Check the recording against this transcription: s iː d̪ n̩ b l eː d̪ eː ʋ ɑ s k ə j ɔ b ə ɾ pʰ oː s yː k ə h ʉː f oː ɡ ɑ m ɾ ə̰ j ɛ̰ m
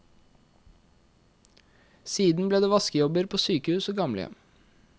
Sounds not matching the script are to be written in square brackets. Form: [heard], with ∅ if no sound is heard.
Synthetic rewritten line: s iː d̪ n̩ b l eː d̪ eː ʋ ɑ s k ə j ɔ b ə ɾ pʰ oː s yː k ə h ʉː [s] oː ɡ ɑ m [l] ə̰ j ɛ̰ m